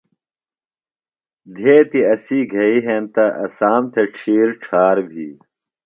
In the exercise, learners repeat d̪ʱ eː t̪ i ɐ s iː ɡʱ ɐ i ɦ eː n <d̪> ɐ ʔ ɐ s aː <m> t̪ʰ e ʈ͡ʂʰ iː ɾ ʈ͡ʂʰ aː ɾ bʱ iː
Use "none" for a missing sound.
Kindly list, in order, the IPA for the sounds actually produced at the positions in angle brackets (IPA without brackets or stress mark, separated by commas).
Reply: t̪, m